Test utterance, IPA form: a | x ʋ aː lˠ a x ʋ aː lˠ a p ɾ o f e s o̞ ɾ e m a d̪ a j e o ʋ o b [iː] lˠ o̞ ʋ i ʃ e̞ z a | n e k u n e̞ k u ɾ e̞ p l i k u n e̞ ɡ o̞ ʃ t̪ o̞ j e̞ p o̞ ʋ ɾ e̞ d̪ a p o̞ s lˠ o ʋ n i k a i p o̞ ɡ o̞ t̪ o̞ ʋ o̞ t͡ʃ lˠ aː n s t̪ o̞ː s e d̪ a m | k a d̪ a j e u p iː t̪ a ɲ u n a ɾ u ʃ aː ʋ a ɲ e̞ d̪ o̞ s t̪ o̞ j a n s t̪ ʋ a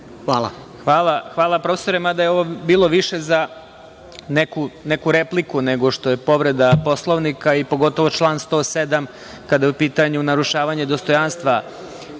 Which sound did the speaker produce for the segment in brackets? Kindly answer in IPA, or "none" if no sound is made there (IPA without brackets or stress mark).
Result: iː